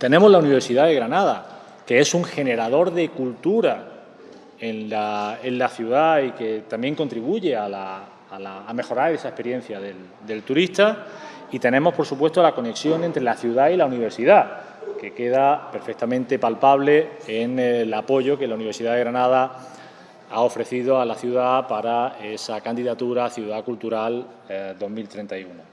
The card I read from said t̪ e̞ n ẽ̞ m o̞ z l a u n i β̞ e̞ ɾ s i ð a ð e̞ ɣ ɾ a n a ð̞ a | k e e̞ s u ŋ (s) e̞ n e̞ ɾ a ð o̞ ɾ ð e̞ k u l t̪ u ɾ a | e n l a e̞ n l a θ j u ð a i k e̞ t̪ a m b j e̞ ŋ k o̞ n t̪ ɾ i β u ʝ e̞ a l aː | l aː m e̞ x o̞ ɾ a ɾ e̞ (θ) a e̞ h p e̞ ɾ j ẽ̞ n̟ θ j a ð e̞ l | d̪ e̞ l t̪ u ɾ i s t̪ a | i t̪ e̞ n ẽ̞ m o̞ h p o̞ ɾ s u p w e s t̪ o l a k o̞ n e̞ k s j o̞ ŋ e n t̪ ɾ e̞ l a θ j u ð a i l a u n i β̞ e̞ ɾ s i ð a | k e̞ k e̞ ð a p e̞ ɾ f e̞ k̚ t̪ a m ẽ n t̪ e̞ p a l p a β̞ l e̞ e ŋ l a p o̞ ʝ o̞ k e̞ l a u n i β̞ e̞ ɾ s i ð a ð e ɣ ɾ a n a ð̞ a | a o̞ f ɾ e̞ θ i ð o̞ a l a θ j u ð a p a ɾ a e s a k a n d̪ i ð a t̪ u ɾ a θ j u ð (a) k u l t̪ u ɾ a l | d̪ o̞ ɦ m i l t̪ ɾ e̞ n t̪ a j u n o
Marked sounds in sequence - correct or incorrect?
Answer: incorrect, incorrect, correct

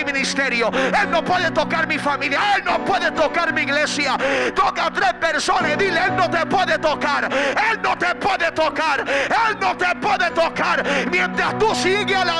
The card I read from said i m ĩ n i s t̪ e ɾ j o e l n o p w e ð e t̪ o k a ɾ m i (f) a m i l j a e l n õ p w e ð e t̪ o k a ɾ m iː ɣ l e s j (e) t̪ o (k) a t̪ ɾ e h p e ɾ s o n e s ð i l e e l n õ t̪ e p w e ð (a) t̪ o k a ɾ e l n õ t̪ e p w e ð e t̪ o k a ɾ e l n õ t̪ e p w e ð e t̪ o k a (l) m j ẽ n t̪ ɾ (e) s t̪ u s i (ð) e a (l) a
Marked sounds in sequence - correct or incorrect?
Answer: correct, incorrect, correct, incorrect, incorrect, incorrect, incorrect, correct

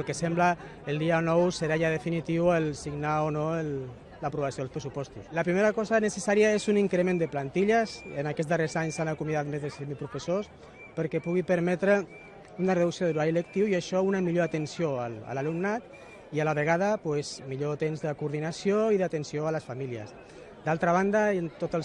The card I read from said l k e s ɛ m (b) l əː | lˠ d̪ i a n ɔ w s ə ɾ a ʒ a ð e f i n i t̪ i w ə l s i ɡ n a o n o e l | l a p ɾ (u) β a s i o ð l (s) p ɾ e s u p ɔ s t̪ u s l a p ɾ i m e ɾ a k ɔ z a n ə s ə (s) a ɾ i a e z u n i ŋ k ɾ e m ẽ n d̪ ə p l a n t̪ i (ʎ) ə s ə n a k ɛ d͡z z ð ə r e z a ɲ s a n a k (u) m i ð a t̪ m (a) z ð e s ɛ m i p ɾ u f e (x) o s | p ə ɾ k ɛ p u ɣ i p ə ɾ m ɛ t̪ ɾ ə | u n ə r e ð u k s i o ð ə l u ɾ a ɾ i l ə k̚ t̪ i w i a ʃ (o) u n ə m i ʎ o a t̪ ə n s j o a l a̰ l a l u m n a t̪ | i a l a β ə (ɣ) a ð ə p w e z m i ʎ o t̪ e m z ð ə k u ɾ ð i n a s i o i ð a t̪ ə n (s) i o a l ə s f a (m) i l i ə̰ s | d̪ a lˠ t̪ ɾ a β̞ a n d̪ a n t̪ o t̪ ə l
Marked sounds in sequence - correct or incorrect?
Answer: correct, correct, correct, correct, correct, correct, incorrect, incorrect, incorrect, correct, correct, correct

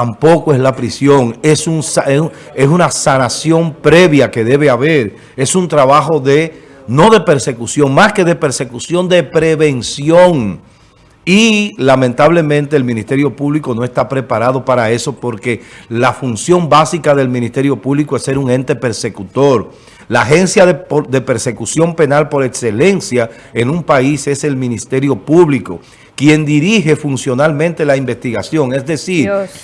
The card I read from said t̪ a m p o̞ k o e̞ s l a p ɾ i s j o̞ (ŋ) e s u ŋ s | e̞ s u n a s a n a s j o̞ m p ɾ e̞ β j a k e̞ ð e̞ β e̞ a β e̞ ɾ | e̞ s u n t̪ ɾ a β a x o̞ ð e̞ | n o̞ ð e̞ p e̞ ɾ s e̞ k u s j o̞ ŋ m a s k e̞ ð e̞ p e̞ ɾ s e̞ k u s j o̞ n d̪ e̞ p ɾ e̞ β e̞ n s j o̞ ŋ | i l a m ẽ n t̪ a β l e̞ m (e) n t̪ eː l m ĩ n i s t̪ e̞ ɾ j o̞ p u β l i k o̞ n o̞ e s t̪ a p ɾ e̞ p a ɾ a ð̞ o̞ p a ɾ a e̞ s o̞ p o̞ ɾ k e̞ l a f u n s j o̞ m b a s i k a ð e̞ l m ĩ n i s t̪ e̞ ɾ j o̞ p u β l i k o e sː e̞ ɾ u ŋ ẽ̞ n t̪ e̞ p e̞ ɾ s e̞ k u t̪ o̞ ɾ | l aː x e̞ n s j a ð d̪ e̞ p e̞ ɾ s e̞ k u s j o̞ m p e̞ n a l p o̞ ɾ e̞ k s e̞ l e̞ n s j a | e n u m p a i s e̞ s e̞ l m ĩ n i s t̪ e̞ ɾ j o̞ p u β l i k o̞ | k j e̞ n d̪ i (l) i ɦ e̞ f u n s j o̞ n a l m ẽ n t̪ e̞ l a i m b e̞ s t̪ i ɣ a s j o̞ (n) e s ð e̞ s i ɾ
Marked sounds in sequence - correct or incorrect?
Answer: correct, incorrect, incorrect, incorrect

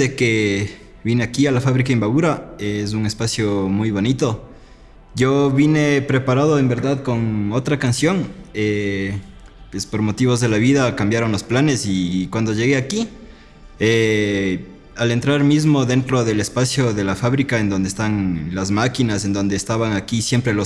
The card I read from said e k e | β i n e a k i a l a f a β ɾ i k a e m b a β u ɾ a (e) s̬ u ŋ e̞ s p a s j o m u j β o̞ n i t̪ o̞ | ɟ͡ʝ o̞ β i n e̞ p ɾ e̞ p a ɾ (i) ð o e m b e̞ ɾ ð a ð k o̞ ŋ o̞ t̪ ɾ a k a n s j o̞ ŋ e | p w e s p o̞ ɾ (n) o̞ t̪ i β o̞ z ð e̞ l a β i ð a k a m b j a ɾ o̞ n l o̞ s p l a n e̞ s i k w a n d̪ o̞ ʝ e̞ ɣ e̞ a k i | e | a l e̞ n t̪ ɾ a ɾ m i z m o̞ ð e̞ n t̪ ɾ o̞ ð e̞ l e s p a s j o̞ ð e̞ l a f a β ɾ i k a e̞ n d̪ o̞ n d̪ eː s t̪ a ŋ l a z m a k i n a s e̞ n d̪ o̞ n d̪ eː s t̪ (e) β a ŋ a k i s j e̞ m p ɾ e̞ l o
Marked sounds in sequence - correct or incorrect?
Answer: correct, incorrect, incorrect, incorrect

